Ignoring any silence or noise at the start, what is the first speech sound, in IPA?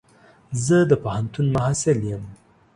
z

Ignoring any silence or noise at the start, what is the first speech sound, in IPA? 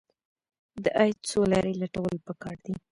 d̪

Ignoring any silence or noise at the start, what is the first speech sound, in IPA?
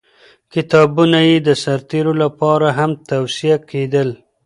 k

